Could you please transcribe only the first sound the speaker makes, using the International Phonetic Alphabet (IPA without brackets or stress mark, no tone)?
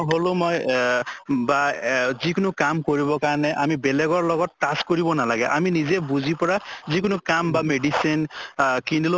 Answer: ɦ